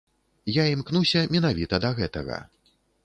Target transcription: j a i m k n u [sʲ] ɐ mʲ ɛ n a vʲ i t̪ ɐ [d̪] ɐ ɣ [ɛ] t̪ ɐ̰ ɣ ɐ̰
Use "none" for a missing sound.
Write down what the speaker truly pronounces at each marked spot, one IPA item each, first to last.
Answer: sʲ, d̪, ɛ

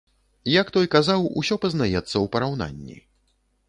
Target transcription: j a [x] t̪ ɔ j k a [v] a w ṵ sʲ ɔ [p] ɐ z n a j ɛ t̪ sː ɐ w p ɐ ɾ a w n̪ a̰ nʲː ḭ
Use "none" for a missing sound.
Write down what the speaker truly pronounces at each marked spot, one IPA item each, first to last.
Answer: k, z, p

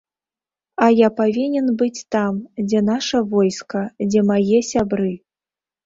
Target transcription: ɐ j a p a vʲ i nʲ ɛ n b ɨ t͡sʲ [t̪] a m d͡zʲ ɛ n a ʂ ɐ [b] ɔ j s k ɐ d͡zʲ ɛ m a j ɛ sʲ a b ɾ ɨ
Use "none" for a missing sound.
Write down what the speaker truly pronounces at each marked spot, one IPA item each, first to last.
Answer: t̪, v

